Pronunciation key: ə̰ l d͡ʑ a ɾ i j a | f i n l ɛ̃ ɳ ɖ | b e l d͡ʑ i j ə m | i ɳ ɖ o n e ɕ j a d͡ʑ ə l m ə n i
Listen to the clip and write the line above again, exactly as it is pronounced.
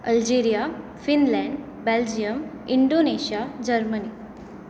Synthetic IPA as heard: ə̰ l d͡ʑ e ɾ i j a | f i n l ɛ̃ ɳ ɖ | b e l d͡ʑ i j ə m | i ɳ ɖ o n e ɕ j a d͡ʑ ə ɾ m ə n i